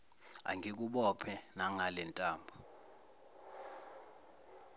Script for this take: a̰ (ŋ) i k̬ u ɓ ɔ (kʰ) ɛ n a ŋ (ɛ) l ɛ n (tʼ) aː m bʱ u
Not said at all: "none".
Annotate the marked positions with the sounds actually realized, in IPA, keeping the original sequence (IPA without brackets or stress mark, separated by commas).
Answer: ŋ, pʰ, a, tʼ